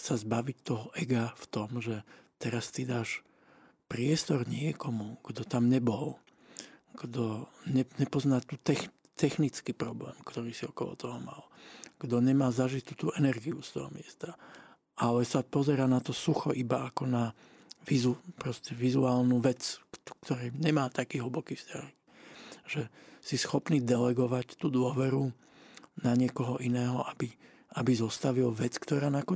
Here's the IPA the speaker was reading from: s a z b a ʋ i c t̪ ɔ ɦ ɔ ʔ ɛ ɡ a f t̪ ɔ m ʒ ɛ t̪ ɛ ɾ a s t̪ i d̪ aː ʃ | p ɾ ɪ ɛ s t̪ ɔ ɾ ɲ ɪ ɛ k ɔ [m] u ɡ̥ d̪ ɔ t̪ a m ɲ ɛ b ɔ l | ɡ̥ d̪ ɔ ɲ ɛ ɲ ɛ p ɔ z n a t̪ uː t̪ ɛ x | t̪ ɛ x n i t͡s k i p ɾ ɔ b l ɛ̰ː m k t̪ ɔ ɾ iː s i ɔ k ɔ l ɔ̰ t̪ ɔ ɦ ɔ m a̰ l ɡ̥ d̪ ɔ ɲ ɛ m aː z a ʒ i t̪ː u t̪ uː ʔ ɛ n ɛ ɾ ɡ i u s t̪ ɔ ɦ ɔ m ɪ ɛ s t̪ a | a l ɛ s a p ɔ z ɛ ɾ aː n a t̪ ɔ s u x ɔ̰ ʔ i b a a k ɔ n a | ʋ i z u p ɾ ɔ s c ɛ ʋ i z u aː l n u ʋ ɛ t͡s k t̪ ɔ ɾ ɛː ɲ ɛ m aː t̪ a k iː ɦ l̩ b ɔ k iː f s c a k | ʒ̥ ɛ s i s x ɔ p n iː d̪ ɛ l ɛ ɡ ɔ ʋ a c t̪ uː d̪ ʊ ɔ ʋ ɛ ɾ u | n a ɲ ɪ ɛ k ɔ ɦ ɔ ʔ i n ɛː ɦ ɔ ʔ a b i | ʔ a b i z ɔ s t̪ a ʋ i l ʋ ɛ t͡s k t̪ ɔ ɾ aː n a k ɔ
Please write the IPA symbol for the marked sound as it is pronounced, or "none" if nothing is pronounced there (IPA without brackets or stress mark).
m